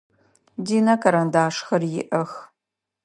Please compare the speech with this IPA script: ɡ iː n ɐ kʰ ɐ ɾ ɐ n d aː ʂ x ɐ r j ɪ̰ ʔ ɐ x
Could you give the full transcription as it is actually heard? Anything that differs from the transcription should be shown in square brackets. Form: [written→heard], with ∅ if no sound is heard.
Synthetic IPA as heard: [ɡ→d] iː n ɐ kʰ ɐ ɾ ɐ n d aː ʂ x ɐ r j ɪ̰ ʔ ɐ x